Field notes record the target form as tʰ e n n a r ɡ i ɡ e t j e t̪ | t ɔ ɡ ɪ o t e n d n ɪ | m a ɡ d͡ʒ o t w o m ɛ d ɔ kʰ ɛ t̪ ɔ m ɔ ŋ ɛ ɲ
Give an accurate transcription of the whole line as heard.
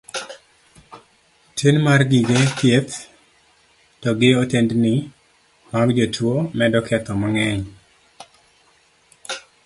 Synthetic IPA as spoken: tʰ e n m a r ɡ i ɡ e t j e t̪ | t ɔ ɡ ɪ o t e n d n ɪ | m a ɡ d͡ʒ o t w o m ɛ d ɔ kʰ ɛ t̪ ɔ m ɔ ŋ ɛ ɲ

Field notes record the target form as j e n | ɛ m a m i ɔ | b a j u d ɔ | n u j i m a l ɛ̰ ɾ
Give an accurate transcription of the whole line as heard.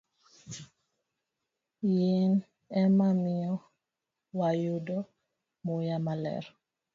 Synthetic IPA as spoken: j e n | ɛ m a m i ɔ | w a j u d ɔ | m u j a m a l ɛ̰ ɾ

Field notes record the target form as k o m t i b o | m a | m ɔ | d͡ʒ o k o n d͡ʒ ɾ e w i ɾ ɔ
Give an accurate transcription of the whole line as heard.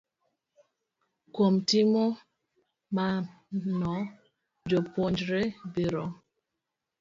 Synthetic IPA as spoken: k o m t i m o | m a | n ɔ | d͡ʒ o p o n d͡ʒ ɾ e b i ɾ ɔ

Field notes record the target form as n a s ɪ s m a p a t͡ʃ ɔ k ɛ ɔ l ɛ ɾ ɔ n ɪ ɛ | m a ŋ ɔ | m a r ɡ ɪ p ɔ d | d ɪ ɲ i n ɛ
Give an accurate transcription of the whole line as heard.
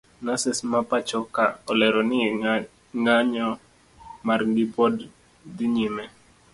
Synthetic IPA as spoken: n a s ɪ s m a p a t͡ʃ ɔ k a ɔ l ɛ ɾ ɔ n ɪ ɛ | ŋ a ɲ ɔ | m a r ɡ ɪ p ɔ d | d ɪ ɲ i m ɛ

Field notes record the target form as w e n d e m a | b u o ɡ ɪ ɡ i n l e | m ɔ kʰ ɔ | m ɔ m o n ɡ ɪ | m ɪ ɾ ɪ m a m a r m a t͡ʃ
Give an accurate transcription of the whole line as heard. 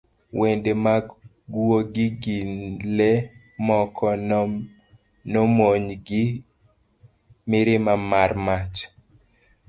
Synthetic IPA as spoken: w e n d e m a | ɡ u o ɡ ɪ ɡ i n l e | m ɔ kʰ ɔ | n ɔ m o ɲ ɡ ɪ | m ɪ ɾ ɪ m a m a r m a t͡ʃ

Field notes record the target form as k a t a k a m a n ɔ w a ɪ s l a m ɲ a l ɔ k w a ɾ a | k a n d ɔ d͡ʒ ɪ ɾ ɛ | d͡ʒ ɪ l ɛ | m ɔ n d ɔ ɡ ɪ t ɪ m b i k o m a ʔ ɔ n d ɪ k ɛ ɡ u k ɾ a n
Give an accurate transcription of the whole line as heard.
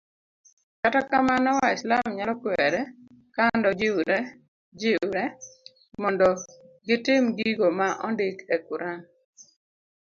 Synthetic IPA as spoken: k a t a k a m a n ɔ w a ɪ s l a m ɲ a l ɔ k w ɛ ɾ ɛ | k a n d ɔ d͡ʒ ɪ ɾ ɛ | d͡ʒ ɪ ɾ ɛ | m ɔ n d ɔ ɡ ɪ t ɪ m ɡ i ɡ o m a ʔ ɔ n d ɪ k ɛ k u ɾ a n

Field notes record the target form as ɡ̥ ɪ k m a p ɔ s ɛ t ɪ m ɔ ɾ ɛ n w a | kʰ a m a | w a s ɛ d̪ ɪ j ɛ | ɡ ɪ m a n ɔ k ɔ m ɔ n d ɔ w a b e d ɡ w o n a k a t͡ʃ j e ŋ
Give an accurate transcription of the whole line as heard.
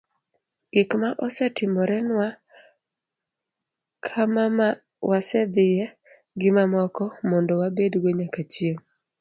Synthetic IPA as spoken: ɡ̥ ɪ k m a ʔ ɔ s ɛ t ɪ m ɔ ɾ ɛ n w a | kʰ a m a | w a s ɛ d̪ ɪ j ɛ | ɡ ɪ m a m ɔ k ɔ m ɔ n d ɔ w a b e d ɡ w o ɲ a k a t͡ʃ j e ŋ

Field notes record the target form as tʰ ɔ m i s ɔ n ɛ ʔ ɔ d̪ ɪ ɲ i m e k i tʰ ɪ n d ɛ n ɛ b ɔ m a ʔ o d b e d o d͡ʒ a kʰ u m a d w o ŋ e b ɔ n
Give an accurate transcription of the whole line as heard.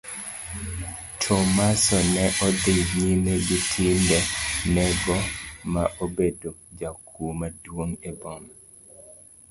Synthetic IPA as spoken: tʰ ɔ m a s ɔ n ɛ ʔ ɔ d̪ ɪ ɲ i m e ɡ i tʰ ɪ n d ɛ n ɛ ɡ ɔ m a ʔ o b e d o d͡ʒ a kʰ u m a d w o ŋ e b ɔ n

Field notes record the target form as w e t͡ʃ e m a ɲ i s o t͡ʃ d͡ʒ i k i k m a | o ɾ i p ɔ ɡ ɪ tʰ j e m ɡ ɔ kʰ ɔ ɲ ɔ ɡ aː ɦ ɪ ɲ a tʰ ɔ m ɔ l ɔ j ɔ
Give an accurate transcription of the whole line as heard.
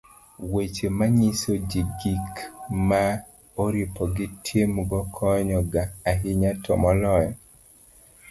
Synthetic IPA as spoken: w e t͡ʃ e m a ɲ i s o d͡ʒ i ɡ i k m a | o ɾ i p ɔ ɡ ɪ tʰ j e m ɡ ɔ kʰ ɔ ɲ ɔ ɡ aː ɦ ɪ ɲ a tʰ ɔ m ɔ l ɔ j ɔ

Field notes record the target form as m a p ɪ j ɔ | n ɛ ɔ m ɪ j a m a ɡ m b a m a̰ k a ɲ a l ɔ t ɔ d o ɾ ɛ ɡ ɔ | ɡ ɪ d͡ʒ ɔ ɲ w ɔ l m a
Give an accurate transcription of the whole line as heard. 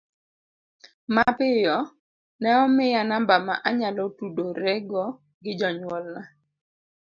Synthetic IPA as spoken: m a p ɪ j ɔ | n ɛ ɔ m ɪ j a n a m b a m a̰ ʔ a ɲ a l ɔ t u d o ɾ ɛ ɡ ɔ | ɡ ɪ d͡ʒ ɔ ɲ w ɔ l n a

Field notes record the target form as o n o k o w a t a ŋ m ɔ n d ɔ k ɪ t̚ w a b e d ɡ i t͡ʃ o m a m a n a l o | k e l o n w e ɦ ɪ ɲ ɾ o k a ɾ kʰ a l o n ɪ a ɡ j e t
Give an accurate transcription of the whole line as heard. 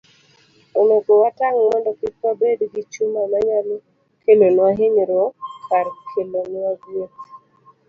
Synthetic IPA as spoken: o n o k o w a t a ŋ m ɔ n d ɔ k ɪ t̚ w a b e d ɡ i t͡ʃ u m a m a ɲ a l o | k e l o n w a ɦ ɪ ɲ ɾ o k a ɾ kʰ e l o n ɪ a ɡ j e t

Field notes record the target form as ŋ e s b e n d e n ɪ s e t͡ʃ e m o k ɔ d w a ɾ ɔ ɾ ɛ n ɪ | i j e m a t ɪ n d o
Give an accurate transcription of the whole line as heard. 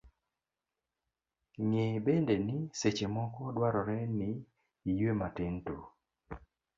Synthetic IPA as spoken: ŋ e b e n d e n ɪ s e t͡ʃ e m ɔ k ɔ d w a ɾ ɔ ɾ ɛ n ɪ | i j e m a t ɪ n t o

